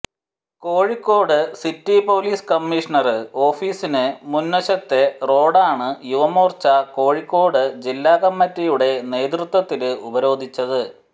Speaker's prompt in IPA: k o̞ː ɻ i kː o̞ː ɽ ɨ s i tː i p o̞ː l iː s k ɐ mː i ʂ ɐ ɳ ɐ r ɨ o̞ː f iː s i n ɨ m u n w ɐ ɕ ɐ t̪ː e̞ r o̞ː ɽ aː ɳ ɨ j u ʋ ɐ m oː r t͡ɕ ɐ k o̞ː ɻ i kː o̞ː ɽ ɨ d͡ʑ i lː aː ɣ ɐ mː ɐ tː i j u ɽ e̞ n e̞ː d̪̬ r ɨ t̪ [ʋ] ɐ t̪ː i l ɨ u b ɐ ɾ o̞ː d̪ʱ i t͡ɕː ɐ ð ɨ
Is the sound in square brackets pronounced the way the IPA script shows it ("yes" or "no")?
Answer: no